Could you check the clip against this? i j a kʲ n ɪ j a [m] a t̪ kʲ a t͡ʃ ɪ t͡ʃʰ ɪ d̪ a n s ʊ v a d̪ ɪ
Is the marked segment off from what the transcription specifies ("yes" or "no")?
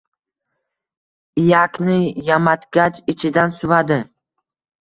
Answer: no